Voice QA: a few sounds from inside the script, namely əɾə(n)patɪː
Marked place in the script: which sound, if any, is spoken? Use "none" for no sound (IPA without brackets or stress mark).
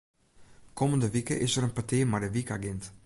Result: n